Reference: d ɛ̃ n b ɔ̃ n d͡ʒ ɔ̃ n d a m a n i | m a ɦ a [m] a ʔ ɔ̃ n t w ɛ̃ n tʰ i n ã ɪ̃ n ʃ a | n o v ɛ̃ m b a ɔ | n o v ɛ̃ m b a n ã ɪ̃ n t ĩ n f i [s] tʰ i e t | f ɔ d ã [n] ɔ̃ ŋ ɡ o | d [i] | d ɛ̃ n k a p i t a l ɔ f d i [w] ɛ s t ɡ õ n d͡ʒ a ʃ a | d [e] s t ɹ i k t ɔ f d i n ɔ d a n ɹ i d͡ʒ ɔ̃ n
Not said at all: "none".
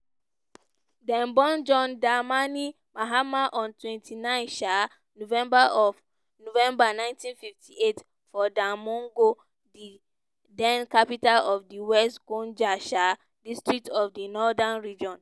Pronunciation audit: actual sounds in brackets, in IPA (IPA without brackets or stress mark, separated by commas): m, f, m, i, w, i